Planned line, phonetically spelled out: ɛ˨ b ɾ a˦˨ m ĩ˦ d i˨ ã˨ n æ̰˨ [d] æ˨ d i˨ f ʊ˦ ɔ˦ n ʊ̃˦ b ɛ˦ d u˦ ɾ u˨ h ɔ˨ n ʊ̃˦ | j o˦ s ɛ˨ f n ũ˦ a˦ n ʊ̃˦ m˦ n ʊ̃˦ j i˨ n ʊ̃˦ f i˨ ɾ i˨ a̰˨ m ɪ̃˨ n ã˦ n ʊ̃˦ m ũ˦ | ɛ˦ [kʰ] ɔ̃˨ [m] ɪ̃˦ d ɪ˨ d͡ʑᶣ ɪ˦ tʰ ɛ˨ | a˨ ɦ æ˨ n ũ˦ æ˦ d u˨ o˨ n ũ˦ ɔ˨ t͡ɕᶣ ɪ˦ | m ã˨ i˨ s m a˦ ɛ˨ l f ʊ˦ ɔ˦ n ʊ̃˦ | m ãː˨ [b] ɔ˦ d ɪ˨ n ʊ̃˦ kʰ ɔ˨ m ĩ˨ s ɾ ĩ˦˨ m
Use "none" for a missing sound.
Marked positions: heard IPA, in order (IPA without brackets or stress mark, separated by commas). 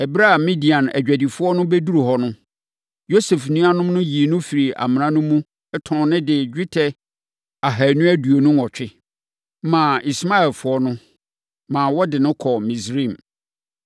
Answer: d͡ʑᶣ, tʰ, n, w